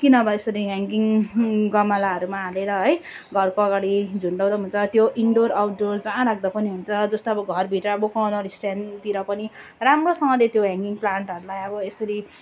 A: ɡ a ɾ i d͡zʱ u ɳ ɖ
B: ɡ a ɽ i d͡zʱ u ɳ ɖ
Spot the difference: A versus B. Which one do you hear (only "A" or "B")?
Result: B